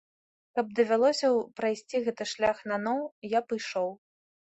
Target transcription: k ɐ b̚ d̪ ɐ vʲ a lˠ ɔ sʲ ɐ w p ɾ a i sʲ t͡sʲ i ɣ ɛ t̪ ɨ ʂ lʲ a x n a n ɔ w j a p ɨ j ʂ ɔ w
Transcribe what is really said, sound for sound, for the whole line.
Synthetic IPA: k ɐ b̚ d̪ ɐ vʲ a lˠ ɔ sʲ ɐ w p ɾ a j sʲ t͡sʲ i ɣ ɛ t̪ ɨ ʂ lʲ a x n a n ɔ w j a p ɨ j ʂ ɔ w